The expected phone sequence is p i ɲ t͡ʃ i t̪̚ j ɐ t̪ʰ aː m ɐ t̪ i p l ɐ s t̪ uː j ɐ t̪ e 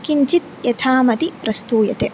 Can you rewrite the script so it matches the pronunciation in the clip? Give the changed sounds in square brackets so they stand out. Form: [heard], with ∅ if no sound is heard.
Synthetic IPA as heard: [k] i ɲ t͡ʃ i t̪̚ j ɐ t̪ʰ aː m ɐ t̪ i p [ɾ] ɐ s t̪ uː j ɐ t̪ e

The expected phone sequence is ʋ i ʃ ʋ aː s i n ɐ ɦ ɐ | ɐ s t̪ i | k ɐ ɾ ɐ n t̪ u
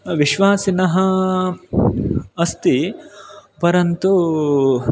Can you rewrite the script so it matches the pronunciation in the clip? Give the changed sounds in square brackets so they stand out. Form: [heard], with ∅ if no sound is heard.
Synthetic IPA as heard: ʋ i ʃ ʋ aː s i n ɐ ɦ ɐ | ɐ s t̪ i | [p] ɐ ɾ ɐ n t̪ u

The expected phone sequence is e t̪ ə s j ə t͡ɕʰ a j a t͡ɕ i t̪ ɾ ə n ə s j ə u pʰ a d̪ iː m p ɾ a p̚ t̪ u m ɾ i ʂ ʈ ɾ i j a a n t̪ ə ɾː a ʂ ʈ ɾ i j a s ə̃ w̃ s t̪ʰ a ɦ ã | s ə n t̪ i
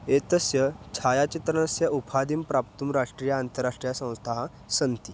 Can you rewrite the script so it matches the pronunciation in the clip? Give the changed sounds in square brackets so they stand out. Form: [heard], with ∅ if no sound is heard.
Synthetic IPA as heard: e t̪ ə s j ə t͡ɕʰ a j a t͡ɕ i t̪ ɾ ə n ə s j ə u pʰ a d̪ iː m p ɾ a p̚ t̪ u m ɾ [a] ʂ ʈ ɾ i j a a n t̪ ə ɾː a ʂ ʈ ɾ i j a s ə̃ w̃ s t̪ʰ a ɦ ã | s ə n t̪ i

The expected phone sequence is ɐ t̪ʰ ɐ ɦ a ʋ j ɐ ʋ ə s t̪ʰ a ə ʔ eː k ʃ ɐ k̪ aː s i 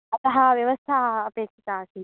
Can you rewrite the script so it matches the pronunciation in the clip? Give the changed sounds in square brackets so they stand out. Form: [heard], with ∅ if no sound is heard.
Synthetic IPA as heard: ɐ [t̪] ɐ ɦ a ʋ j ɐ ʋ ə s t̪ʰ a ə [p] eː k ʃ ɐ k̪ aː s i

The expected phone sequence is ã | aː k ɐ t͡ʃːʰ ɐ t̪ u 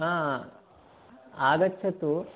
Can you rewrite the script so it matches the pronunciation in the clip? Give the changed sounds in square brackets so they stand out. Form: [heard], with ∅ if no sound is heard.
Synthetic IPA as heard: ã | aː [ɡ] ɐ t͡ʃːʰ ɐ t̪ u

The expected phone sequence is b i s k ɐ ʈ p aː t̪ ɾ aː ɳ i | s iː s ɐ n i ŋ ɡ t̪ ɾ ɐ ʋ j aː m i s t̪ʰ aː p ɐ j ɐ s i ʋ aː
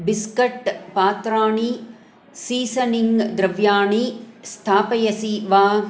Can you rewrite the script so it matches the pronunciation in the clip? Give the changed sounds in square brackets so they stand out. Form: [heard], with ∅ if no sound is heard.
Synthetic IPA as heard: b i s k ɐ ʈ p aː t̪ ɾ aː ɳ i | s iː s ɐ n i ŋ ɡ [d̪] ɾ ɐ ʋ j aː [ɳ] i s t̪ʰ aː p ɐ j ɐ s i ʋ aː

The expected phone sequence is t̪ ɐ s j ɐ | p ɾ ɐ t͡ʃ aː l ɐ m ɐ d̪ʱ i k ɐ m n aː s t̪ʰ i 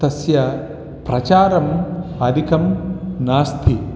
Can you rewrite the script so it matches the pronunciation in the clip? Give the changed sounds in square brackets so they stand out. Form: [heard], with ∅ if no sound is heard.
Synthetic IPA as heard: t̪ ɐ s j ɐ | p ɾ ɐ t͡ʃ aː [ɾ] ɐ m ɐ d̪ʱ i k ɐ m n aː s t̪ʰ i

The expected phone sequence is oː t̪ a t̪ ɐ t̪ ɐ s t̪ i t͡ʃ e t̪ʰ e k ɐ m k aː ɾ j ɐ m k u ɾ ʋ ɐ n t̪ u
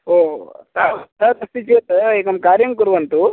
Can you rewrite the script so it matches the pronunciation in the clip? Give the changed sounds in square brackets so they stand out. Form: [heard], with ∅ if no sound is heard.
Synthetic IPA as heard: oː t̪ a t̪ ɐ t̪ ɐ s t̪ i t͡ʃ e [t̪] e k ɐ m k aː ɾ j ɐ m k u ɾ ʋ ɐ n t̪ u

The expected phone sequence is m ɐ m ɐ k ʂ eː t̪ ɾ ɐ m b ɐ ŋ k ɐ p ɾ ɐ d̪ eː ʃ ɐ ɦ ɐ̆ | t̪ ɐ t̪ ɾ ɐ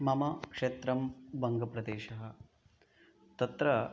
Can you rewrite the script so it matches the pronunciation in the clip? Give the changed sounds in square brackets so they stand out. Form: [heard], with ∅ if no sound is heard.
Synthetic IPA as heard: m ɐ m ɐ k ʂ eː t̪ ɾ ɐ m b ɐ ŋ [ɡ] ɐ p ɾ ɐ d̪ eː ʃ ɐ ɦ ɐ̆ | t̪ ɐ t̪ ɾ ɐ

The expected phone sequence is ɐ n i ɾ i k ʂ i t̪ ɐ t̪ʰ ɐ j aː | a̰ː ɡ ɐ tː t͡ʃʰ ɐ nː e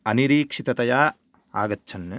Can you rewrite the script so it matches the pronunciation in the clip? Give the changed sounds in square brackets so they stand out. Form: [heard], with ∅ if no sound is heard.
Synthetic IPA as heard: ɐ n i ɾ [iː] k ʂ i t̪ ɐ [t̪] ɐ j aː | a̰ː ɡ ɐ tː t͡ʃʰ ɐ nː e

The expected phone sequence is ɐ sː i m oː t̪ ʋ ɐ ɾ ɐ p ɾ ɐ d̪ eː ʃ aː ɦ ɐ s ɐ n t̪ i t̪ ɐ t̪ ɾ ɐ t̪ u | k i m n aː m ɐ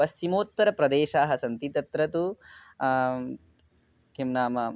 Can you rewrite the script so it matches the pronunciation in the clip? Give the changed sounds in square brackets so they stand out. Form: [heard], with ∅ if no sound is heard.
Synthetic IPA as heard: ɐ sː i m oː t̪ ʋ ɐ ɾ ɐ p ɾ ɐ d̪ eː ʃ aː ɦ ɐ s ɐ n t̪ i t̪ ɐ t̪ ɾ ɐ t̪ u | k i m n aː m ɐ

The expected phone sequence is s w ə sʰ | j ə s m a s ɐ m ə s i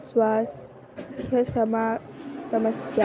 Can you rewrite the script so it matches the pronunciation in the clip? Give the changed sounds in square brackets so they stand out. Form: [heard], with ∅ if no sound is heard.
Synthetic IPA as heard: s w [a] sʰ | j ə s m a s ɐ m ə s [j]

